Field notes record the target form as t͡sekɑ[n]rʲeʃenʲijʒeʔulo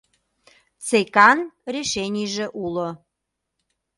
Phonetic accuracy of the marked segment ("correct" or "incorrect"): correct